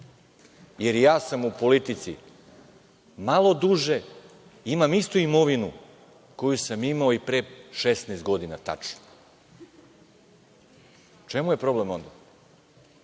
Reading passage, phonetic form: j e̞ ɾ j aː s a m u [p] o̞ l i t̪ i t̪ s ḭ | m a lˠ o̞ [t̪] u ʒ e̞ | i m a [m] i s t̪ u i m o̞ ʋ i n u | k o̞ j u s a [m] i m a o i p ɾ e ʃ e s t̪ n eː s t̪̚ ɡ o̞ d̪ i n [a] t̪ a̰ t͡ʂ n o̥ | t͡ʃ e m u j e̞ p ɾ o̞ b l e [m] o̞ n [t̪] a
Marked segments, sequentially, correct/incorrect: correct, incorrect: d̪, correct, correct, correct, correct, incorrect: d̪

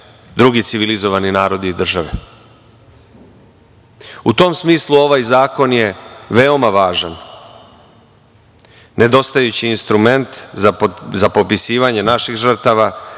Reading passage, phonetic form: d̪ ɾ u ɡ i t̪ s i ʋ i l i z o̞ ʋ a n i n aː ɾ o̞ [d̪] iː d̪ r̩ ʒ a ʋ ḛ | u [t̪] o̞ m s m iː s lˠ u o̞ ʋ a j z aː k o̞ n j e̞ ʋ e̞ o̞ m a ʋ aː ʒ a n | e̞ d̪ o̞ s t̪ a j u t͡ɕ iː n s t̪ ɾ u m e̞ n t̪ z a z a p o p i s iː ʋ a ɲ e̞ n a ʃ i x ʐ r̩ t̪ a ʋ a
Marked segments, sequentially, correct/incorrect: correct, correct

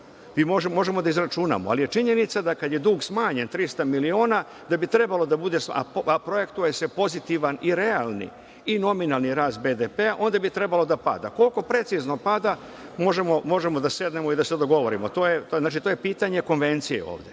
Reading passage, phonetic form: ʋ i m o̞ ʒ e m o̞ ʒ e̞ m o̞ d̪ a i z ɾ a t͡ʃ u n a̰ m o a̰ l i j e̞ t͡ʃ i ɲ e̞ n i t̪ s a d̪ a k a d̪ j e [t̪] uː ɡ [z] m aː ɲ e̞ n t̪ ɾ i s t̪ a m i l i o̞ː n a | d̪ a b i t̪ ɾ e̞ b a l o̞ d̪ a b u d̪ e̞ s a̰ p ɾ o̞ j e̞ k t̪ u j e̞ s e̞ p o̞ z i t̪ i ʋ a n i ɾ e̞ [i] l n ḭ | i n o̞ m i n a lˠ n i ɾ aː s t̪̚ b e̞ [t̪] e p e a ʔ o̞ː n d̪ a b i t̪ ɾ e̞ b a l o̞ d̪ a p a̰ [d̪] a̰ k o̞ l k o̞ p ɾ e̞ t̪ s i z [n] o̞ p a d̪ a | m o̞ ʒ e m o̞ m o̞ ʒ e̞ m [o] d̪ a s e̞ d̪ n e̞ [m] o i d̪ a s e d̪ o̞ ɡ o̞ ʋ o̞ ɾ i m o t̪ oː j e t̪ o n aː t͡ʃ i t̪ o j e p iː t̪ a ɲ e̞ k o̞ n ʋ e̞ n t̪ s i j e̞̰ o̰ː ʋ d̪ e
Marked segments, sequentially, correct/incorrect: incorrect: d̪, incorrect: s, incorrect: a, incorrect: d̪, correct, correct, correct, correct

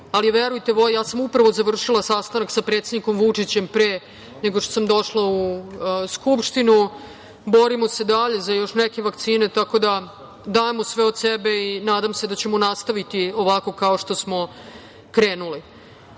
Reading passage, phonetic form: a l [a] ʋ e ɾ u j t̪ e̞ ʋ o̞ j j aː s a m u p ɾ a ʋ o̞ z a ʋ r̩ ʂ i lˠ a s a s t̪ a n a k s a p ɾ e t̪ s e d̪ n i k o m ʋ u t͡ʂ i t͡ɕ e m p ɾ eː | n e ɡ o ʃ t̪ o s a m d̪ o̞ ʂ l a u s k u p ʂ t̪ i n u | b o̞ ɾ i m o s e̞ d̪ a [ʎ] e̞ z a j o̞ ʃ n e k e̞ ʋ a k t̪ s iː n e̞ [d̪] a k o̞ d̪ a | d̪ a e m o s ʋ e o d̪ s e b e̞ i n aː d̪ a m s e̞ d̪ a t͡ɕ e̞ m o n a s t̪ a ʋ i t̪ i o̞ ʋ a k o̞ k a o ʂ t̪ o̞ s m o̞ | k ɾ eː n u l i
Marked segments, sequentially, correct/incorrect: incorrect: i, correct, incorrect: t̪

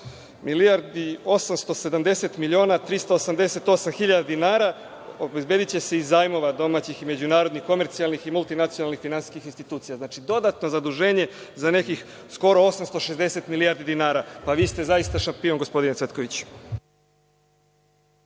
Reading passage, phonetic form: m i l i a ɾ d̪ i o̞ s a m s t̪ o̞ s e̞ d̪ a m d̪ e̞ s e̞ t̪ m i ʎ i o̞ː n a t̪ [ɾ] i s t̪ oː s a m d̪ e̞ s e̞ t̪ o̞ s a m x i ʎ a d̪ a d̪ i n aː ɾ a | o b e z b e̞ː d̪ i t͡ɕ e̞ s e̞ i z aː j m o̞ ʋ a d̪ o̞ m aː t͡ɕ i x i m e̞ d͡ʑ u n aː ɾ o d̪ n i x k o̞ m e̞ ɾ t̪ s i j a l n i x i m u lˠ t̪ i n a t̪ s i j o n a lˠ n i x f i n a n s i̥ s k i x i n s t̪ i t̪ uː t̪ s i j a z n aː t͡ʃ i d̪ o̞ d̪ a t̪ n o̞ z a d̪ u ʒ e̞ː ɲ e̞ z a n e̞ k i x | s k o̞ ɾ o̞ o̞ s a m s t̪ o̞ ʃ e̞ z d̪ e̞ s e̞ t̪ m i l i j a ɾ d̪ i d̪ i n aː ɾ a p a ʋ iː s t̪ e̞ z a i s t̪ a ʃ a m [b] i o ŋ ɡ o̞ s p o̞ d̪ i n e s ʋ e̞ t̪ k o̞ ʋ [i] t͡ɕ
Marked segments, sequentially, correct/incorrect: correct, incorrect: p, correct

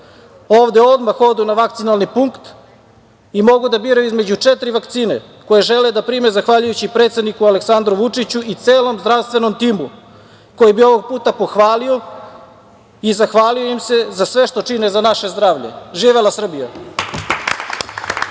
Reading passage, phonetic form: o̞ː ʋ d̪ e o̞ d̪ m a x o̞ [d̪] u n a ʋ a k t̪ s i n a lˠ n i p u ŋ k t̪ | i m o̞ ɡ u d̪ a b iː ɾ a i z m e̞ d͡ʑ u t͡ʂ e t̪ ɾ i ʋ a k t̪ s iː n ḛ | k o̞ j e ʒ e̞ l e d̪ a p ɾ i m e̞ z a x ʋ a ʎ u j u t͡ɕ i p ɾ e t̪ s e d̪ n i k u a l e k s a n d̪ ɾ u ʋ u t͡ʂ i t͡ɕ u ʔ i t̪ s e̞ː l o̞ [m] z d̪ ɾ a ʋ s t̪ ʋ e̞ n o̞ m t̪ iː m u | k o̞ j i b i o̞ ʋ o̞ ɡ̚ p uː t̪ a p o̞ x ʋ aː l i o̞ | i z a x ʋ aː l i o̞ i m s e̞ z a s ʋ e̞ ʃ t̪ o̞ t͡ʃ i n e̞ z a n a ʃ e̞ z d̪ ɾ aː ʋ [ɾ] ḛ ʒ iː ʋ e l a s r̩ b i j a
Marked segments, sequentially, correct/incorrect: correct, correct, incorrect: ʎ

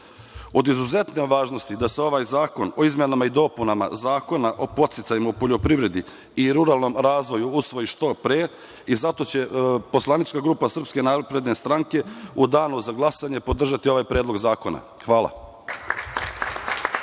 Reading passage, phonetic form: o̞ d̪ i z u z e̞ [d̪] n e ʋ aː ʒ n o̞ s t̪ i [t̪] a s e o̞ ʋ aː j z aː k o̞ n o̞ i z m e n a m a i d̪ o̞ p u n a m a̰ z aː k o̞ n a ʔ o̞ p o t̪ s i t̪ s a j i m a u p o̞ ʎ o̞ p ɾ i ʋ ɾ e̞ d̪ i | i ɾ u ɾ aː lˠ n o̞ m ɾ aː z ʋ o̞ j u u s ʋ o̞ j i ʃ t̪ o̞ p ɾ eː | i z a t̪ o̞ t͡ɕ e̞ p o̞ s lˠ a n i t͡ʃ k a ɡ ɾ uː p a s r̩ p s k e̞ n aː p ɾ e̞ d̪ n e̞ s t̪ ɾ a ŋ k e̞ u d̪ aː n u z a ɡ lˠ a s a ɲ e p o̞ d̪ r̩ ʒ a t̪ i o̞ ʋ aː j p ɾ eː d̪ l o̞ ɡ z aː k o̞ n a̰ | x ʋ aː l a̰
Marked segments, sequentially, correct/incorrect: incorrect: t̪, incorrect: d̪

